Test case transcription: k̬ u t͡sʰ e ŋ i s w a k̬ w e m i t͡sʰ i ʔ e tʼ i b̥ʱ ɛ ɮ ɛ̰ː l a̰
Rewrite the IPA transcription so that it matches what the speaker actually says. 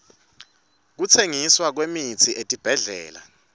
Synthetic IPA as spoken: k̬ u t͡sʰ e ŋ i s w a k̬ w e m i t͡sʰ i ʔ e tʼ i b̥ʱ ɛ ɮ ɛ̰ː l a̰